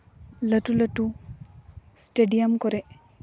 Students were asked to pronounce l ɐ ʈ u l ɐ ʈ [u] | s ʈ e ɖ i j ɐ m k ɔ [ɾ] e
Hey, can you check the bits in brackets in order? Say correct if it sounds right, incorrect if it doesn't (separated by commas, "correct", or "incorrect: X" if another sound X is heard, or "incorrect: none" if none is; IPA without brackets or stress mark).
correct, correct